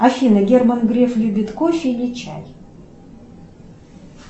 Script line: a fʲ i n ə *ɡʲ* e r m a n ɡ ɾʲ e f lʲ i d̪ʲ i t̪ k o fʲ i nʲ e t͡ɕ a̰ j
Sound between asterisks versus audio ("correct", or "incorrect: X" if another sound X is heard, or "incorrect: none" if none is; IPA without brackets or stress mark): correct